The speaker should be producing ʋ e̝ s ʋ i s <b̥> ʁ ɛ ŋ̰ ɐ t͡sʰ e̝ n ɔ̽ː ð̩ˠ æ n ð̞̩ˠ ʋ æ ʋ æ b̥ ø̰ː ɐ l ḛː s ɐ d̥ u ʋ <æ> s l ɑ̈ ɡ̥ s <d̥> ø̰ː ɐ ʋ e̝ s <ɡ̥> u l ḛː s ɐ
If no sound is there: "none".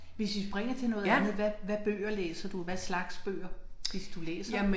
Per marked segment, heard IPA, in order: b̥, æ, b̥, d̥

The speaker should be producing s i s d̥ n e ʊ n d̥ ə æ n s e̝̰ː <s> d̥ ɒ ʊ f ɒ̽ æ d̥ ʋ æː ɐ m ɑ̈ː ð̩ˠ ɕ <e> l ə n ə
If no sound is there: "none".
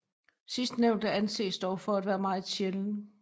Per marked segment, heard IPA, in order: s, e

